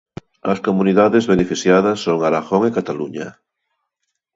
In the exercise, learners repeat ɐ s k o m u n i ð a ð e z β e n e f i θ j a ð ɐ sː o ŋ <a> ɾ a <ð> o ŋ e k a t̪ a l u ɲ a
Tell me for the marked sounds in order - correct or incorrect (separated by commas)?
correct, incorrect